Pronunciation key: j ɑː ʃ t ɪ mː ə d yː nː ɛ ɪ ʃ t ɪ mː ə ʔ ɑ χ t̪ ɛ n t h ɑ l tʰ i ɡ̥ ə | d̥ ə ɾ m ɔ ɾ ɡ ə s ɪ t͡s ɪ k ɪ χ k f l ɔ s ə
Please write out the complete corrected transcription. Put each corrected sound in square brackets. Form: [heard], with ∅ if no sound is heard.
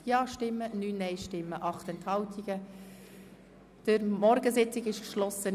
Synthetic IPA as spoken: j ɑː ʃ t ɪ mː ə [n] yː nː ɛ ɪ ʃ t ɪ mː ə ʔ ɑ χ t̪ ɛ n t h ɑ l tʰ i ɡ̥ ə | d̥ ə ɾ m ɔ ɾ ɡ ə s ɪ t͡s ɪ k ɪ [ʃ] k [ʃ] l ɔ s ə